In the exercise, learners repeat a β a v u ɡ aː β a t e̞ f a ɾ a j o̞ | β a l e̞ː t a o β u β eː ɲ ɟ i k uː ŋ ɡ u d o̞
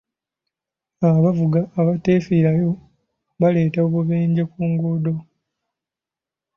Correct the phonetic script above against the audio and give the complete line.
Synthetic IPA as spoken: a β a v u ɡ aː β a t e̞ f i ɾ a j o̞ | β a l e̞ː t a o β u β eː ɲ ɟ e k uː ŋ ɡ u d o̞